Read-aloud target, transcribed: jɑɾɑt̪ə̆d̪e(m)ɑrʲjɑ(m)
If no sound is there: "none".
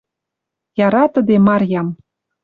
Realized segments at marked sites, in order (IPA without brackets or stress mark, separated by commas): m, m